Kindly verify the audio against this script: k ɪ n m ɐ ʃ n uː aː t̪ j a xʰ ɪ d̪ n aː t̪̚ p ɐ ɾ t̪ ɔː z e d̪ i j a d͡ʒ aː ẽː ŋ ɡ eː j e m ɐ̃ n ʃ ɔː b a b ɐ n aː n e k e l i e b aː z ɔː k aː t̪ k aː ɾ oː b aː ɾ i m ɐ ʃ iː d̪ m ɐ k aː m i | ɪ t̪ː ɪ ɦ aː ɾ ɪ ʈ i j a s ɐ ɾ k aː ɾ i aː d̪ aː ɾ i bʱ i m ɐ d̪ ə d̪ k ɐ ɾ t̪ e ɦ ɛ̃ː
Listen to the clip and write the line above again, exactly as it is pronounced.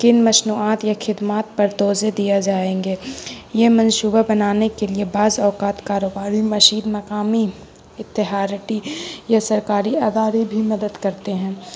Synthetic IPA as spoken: k ɪ n m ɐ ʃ n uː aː t̪ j a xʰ ɪ d̪ m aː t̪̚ p ɐ ɾ t̪ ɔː z e d̪ i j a d͡ʒ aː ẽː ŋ ɡ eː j e m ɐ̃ n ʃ uː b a b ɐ n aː n e k e l i e b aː z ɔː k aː t̪ k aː ɾ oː b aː ɾ i m ɐ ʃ iː d̪ m ɐ k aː m i | ɪ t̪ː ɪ ɦ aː ɾ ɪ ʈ i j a s ɐ ɾ k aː ɾ i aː d̪ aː ɾ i bʱ i m ɐ d̪ ə d̪ k ɐ ɾ t̪ e ɦ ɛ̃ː

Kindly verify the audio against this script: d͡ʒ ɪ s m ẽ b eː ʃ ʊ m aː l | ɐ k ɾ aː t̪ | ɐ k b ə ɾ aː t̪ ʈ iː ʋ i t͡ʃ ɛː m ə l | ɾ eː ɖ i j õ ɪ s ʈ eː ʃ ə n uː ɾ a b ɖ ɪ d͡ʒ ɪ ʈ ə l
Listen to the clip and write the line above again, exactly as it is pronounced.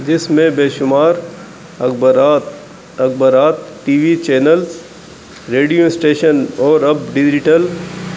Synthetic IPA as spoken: d͡ʒ ɪ s m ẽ b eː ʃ ʊ m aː ɾ | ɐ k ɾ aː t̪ | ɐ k b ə ɾ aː t̪ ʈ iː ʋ i t͡ʃ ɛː n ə l | ɾ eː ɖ i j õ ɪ s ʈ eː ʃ ə n ɔː ɾ ɐ b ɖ ɪ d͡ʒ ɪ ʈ ə l

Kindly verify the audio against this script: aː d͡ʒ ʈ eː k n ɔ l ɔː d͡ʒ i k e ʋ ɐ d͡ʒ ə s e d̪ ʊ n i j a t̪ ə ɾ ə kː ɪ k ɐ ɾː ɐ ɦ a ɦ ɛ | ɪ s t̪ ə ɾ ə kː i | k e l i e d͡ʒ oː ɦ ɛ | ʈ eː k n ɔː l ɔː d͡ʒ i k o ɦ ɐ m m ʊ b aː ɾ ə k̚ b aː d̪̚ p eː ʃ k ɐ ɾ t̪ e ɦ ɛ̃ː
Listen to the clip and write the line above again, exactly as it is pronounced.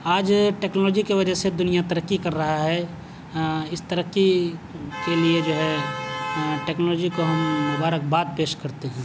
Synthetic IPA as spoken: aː d͡ʒ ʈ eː k n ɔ l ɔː d͡ʒ i k e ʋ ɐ d͡ʒ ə s e d̪ ʊ n i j a t̪ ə ɾ ə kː i k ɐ ɾː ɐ ɦ a ɦ ɛ | ɪ s t̪ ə ɾ ə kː i | k e l i e d͡ʒ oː ɦ ɛ | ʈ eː k n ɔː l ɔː d͡ʒ i k o ɦ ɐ m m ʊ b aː ɾ ə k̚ b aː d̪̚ p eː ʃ k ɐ ɾ t̪ e ɦ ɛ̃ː

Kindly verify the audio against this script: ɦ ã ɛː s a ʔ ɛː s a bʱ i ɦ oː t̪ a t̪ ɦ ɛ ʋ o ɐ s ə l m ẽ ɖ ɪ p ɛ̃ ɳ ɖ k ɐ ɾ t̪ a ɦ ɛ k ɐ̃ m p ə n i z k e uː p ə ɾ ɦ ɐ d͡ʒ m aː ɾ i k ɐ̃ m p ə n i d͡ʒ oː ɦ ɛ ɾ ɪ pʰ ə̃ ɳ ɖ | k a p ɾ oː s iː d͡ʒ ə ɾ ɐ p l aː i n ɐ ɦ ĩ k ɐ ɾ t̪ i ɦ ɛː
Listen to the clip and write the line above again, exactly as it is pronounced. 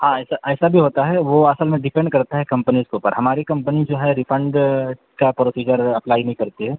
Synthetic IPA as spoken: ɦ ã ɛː s a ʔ ɛː s a bʱ i ɦ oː t̪ a ɦ ɛ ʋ o ɐ s ə l m ẽ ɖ ɪ p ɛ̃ ɳ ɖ k ɐ ɾ t̪ a ɦ ɛ k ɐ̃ m p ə n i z k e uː p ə ɾ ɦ ɐ m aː ɾ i k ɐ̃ m p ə n i d͡ʒ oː ɦ ɛ ɾ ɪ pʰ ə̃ ɳ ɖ | k a p ɾ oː s iː d͡ʒ ə ɾ ɐ p l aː i n ɐ ɦ ĩ k ɐ ɾ t̪ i ɦ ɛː

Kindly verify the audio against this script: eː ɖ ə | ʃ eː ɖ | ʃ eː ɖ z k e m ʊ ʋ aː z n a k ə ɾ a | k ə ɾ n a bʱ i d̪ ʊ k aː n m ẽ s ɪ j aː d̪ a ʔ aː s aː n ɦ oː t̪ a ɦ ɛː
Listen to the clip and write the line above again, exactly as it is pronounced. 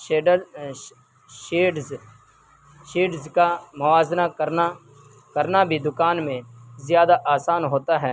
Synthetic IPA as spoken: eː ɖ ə | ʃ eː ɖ | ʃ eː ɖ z k a m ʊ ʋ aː z n a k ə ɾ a | k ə ɾ n a bʱ i d̪ ʊ k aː n m ẽ z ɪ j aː d̪ a ʔ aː s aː n ɦ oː t̪ a ɦ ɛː

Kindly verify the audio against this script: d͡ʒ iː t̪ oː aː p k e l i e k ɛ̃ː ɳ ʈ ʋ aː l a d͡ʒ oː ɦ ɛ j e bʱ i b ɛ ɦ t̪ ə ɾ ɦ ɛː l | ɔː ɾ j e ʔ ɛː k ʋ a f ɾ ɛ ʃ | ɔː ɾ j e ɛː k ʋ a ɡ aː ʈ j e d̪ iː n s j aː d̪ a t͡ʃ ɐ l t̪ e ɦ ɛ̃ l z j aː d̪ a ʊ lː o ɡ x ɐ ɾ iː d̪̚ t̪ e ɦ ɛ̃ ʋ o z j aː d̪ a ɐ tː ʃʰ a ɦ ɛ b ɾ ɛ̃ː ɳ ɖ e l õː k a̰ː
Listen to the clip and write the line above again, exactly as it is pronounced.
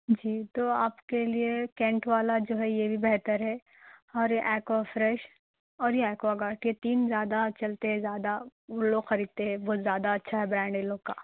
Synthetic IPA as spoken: d͡ʒ iː t̪ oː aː p k e l i e k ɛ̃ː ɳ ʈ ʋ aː l a d͡ʒ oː ɦ ɛ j e bʱ i b ɛ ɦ t̪ ə ɾ ɦ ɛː | ɔː ɾ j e ʔ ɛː k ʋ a f ɾ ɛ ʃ | ɔː ɾ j e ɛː k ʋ a ɡ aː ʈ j e t̪ iː n z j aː d̪ a t͡ʃ ɐ l t̪ e ɦ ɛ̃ z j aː d̪ a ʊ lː o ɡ x ɐ ɾ iː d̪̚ t̪ e ɦ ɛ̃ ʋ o z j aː d̪ a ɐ tː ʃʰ a ɦ ɛ b ɾ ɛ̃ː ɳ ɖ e l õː k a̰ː

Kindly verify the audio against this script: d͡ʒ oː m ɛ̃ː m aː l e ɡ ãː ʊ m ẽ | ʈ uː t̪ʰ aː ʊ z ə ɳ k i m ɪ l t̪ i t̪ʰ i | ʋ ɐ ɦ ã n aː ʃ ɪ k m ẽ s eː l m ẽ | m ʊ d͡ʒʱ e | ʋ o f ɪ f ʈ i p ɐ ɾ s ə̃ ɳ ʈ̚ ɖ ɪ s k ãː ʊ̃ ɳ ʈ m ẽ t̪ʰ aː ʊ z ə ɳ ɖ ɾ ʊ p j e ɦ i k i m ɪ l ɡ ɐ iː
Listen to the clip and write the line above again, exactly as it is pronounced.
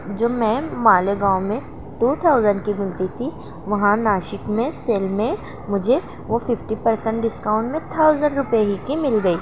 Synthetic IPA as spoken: d͡ʒ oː m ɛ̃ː m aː l e ɡ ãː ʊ m ẽ | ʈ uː t̪ʰ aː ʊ z ə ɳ k i m ɪ l t̪ i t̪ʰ i | ʋ ɐ ɦ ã n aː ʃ ɪ k m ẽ s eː l m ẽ | m ʊ d͡ʒʱ e | ʋ o f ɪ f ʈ i p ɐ ɾ s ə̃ ɳ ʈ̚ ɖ ɪ s k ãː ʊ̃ ɳ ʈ m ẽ t̪ʰ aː ʊ z ə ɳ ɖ ɾ ʊ p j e ɦ i k i m ɪ l ɡ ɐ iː

